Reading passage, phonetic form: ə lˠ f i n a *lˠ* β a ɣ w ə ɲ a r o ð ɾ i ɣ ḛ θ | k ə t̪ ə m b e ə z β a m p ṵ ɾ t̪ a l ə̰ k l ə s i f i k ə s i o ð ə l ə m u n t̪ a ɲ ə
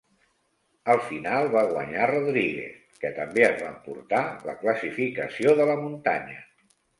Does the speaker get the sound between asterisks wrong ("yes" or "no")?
no